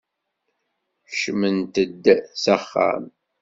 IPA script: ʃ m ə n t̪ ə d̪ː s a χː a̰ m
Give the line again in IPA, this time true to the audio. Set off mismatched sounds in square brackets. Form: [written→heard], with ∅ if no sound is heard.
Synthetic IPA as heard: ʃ m ə n t̪ ə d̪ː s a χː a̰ m